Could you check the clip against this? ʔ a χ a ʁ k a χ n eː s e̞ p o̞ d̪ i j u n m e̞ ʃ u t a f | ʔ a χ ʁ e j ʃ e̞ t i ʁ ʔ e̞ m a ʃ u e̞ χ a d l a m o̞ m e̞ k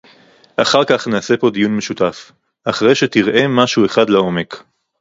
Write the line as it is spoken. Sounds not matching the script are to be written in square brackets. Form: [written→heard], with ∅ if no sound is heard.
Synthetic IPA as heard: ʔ a χ a ʁ k a χ n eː s e̞ p o̞ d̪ i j u n m e̞ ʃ u t a f | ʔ a χ ʁ e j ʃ e̞ t i ʁ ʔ e̞ m a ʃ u e̞ χ a d l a [m→∅] o̞ m e̞ k

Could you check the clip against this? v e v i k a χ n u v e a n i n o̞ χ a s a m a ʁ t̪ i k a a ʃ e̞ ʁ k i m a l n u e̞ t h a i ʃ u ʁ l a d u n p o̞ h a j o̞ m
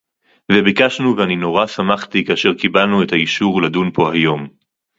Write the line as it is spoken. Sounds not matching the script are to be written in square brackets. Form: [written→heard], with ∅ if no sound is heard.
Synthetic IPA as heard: v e [v→b] i k a [χ→ʃ] n u v e a n i n o̞ [χ→ʁ] a s a m a [ʁ→χ] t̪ i k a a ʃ e̞ ʁ k i [m→b] a l n u e̞ t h a i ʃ u ʁ l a d u n p o̞ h a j o̞ m

